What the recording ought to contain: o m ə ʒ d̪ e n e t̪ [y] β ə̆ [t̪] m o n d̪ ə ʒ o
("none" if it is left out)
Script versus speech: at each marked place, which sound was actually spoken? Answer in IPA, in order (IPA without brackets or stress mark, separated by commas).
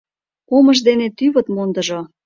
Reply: y, t̪